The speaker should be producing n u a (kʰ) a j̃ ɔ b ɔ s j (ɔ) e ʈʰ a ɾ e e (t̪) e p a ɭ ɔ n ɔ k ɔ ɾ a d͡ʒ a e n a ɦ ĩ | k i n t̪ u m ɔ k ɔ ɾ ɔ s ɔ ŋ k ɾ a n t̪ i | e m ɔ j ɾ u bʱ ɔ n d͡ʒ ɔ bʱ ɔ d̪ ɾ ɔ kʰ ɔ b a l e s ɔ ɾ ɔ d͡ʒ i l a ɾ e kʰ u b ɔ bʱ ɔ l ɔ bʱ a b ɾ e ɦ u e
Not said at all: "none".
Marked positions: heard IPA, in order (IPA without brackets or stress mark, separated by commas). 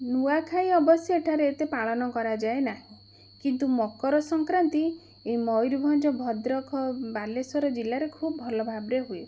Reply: kʰ, ɔ, t̪